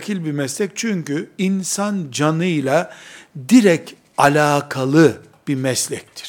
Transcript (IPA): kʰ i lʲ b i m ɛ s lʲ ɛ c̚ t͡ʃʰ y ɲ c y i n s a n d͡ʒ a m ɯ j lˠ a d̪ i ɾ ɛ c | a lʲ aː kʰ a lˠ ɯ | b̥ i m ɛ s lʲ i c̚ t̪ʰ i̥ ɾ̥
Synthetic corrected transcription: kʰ i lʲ b i m ɛ s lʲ ɛ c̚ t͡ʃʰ y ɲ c y i n s a n d͡ʒ a n ɯ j lˠ a d̪ i ɾ ɛ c | a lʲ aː kʰ a lˠ ɯ | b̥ i m ɛ s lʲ ɛ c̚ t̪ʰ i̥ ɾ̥